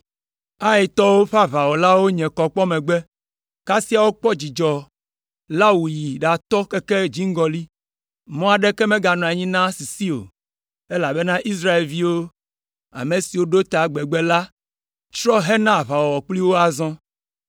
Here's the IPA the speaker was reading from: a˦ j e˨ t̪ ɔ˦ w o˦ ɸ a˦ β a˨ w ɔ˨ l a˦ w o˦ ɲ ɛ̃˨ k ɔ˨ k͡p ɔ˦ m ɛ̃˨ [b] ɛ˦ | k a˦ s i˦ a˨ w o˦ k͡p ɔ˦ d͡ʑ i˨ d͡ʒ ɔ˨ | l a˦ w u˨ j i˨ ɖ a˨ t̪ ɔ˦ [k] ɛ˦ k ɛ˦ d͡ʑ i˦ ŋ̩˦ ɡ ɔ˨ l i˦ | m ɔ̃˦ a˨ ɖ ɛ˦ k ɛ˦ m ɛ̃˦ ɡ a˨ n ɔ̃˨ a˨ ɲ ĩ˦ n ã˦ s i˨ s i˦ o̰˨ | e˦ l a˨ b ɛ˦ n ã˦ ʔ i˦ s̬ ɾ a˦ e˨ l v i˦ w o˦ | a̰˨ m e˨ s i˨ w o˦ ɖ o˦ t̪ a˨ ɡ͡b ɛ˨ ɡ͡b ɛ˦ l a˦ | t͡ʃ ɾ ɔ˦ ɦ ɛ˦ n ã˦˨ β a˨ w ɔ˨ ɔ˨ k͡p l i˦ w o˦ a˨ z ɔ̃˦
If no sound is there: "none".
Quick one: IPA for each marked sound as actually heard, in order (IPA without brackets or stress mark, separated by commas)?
ɡ͡b, k